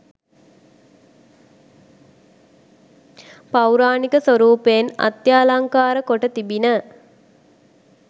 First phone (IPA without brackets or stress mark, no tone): p